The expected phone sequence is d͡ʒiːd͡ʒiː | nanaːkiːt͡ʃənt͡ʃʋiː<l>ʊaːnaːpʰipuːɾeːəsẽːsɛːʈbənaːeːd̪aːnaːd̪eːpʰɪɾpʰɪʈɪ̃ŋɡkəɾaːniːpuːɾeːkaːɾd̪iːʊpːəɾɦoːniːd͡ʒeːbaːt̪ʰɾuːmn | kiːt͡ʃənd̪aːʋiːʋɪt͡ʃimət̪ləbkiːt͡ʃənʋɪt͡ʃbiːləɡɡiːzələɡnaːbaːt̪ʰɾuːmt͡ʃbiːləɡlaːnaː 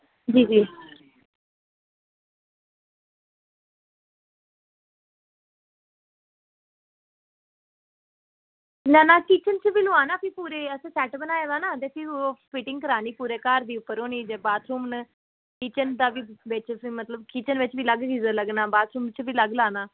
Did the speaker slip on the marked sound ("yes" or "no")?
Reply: no